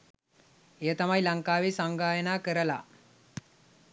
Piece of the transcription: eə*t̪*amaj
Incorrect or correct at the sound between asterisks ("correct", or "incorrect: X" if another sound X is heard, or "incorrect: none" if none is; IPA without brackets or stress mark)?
correct